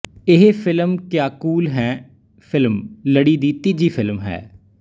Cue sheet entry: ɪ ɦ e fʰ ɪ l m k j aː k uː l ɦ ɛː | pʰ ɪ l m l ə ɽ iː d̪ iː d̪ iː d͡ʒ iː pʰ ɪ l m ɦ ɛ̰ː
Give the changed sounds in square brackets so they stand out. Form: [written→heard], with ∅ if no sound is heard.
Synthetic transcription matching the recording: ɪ ɦ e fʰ ɪ l m k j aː k uː l ɦ ɛː | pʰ ɪ l m l ə ɽ iː d̪ iː [d̪→t̪] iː d͡ʒ iː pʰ ɪ l m ɦ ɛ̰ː

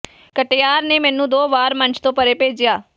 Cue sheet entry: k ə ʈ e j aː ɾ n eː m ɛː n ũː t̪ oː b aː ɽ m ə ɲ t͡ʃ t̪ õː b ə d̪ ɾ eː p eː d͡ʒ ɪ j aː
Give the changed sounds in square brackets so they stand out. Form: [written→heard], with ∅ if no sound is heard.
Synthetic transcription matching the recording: k ə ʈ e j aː ɾ n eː m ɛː n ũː [t̪→d̪] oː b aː [ɽ→ɾ] m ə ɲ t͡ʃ t̪ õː [b→p] ə [d̪→∅] ɾ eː p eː d͡ʒ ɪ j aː

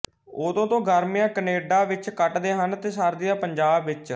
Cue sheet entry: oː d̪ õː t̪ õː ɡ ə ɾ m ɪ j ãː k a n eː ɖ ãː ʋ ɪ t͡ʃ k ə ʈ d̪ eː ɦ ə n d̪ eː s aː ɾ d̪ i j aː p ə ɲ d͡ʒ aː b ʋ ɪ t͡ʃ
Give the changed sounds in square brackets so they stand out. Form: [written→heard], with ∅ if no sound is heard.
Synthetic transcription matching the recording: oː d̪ õː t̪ õː ɡ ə ɾ m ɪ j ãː k [a→ə] n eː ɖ [ãː→aː] ʋ ɪ t͡ʃ k ə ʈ d̪ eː ɦ ə n [d̪→t̪] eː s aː ɾ d̪ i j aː p ə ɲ d͡ʒ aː b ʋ ɪ t͡ʃ

